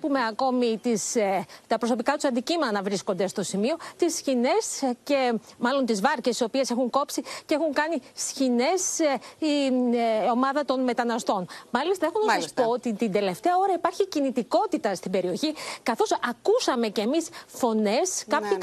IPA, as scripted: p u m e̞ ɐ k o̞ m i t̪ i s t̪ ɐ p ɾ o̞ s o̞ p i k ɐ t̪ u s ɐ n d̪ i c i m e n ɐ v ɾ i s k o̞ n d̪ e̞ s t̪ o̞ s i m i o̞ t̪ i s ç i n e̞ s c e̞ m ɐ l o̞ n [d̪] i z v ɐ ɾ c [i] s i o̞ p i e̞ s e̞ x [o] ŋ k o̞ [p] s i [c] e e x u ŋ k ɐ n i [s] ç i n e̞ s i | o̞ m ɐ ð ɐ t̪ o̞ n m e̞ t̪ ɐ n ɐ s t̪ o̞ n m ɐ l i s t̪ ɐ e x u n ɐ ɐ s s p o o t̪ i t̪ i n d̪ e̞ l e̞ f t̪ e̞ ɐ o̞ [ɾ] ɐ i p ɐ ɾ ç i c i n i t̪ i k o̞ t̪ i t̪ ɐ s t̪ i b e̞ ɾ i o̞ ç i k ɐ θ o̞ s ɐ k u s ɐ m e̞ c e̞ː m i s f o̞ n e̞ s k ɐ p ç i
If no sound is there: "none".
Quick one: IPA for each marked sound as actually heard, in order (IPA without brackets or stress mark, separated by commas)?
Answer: t̪, e, u, p, c, s, ɾ